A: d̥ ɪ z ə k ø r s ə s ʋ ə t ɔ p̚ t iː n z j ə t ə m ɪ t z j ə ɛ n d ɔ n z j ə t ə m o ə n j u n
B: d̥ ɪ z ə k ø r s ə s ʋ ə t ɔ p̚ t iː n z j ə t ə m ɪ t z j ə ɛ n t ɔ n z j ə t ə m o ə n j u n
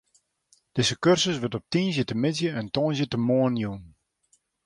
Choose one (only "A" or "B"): B